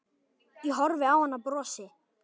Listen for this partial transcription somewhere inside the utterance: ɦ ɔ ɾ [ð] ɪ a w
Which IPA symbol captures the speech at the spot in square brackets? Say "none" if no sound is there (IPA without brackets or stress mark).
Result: v